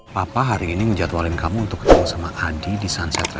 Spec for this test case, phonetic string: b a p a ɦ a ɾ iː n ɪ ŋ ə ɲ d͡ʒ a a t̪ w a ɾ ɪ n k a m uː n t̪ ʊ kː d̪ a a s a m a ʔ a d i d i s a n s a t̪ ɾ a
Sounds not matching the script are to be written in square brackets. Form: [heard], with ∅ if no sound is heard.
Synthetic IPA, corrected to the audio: [p] a p a ɦ a ɾ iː n [i] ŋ ə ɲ d͡ʒ a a t̪ w a [l] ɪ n k a m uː n t̪ ʊ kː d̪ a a s a m a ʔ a d i d i s a n s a t̪ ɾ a